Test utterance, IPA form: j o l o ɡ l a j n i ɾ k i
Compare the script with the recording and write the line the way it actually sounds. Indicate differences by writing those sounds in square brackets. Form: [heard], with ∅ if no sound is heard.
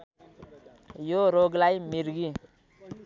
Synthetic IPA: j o [ɾ] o ɡ l a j [m] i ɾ [ɡ] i